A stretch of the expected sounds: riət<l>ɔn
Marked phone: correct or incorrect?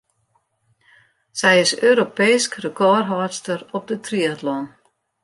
correct